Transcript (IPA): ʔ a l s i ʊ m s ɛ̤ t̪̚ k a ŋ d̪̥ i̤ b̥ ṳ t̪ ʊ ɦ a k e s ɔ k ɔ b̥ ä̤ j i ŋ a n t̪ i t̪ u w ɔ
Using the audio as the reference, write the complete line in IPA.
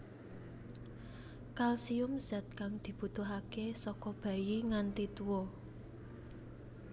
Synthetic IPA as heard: k a l s i ʊ m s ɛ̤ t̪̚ k a ŋ d̪̥ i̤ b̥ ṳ t̪ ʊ ɦ a k e s ɔ k ɔ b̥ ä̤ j i ŋ a n t̪ i t̪ u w ɔ